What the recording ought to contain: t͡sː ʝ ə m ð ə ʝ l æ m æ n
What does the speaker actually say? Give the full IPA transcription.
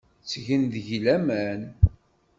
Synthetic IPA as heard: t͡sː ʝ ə n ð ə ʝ l æ m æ n